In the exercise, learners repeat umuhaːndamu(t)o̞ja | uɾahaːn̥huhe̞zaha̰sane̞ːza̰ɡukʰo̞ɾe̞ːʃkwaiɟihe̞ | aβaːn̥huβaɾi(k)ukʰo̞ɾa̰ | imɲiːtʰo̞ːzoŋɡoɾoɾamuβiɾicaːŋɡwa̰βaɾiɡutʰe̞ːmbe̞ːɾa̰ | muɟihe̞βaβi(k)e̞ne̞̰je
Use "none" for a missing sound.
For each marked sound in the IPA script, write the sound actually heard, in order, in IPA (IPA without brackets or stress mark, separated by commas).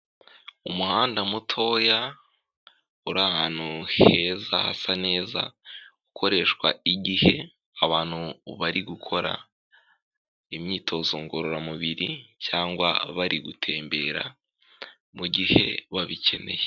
tʰ, ɡ, c